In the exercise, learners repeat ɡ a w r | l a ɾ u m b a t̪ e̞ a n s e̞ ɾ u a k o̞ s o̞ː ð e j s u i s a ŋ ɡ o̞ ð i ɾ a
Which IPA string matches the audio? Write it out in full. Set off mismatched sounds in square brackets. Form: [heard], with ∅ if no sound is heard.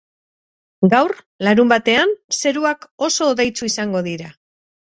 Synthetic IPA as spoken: ɡ a w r | l a ɾ u m b a t̪ e̞ a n s e̞ ɾ u a k o̞ s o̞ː ð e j [t͡s] u i s a ŋ ɡ o̞ ð i ɾ a